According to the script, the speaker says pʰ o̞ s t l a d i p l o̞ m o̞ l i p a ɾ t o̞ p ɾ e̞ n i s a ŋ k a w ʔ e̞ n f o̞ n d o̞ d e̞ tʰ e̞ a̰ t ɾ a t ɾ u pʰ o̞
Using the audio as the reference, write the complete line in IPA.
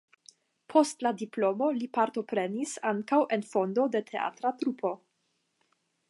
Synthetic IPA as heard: pʰ o̞ s t l a d i p l o̞ m o̞ l i p a ɾ t o̞ p ɾ e̞ n i s a ŋ k a w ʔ e̞ n f o̞ n d o̞ d e̞ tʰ e̞ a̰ t ɾ a t ɾ u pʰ o̞